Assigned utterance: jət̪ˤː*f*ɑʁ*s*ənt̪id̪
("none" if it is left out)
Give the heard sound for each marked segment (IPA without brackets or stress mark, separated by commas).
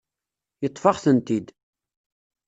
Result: f, θ